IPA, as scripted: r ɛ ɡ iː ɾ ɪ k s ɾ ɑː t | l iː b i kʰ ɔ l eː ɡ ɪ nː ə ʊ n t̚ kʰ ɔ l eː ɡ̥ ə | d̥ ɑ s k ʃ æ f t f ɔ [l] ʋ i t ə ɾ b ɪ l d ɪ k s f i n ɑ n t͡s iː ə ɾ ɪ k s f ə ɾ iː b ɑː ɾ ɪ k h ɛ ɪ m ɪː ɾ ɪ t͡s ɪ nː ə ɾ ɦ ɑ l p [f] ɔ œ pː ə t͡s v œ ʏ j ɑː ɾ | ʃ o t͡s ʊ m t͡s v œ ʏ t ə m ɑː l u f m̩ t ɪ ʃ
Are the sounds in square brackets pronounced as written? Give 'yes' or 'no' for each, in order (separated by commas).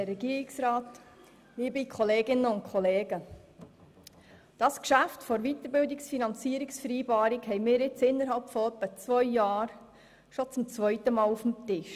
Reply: no, yes